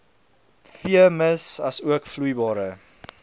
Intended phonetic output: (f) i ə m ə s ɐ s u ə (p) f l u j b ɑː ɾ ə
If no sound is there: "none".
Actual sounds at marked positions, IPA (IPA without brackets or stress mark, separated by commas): f, k